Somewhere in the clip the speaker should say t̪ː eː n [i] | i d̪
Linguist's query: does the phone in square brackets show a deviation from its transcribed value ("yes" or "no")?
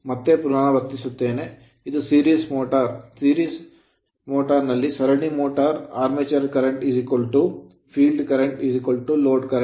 yes